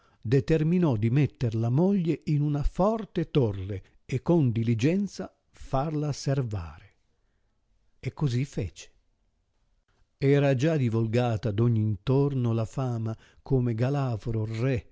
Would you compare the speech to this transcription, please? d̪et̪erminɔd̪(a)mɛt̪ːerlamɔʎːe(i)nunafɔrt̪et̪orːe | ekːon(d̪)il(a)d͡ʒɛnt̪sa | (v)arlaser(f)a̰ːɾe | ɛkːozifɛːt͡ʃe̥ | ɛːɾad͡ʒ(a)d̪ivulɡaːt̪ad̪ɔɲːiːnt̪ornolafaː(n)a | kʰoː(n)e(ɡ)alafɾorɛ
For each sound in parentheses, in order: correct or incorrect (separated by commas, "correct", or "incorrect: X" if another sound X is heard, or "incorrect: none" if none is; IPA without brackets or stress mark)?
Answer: incorrect: i, correct, correct, incorrect: i, incorrect: f, incorrect: v, correct, incorrect: m, incorrect: m, correct